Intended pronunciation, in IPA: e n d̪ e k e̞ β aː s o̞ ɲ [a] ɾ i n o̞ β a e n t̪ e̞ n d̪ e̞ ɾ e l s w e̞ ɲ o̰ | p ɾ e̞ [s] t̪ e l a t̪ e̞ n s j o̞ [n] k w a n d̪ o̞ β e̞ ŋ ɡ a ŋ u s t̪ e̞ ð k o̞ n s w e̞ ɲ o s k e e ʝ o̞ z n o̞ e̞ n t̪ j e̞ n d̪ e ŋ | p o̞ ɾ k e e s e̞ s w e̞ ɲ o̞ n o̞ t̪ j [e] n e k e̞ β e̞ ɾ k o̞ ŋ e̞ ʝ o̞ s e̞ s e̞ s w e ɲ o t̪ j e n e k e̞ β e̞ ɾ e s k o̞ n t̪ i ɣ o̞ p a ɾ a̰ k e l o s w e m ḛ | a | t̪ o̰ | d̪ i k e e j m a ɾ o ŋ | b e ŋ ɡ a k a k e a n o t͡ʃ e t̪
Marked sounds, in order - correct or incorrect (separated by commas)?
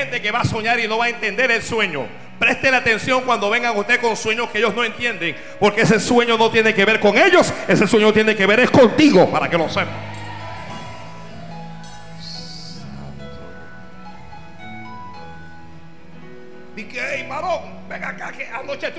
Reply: correct, correct, incorrect, correct